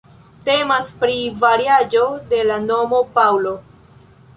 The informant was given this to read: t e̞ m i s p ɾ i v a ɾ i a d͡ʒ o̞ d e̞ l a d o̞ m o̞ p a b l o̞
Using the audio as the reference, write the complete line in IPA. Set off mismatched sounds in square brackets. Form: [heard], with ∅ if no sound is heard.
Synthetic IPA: t e̞ m [a] s p ɾ i v a ɾ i a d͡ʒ o̞ d e̞ l a [n] o̞ m o̞ p a [w] l o̞